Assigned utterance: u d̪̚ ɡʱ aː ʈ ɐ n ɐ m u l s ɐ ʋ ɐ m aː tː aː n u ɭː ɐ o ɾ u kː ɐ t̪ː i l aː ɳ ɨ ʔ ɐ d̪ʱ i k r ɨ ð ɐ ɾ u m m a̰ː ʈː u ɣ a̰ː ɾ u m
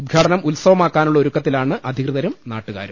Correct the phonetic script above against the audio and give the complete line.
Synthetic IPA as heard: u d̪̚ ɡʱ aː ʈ ɐ n ɐ m u l s ɐ ʋ ɐ m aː kː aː n u ɭː ɐ o ɾ u kː ɐ t̪ː i l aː ɳ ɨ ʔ ɐ d̪ʱ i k r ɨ ð ɐ ɾ u m n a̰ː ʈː u ɣ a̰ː ɾ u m